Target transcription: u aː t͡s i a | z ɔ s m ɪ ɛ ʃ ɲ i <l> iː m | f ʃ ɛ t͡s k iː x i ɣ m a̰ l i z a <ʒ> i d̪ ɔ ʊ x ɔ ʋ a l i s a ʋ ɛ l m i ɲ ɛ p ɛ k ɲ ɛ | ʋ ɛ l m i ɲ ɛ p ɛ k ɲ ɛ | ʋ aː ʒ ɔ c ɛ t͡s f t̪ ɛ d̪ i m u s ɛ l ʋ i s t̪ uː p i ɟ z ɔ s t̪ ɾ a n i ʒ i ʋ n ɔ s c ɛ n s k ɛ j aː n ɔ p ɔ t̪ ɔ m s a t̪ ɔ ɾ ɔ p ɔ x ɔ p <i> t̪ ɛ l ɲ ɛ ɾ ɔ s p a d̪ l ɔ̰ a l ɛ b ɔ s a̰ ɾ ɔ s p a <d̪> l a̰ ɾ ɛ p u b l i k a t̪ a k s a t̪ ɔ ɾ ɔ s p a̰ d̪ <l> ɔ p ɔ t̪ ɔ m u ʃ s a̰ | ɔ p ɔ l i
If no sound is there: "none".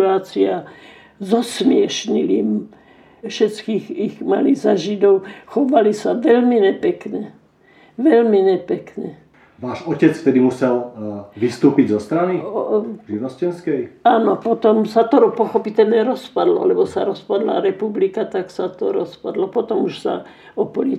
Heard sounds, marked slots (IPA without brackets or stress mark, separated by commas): l, ʒ, i, d̪, l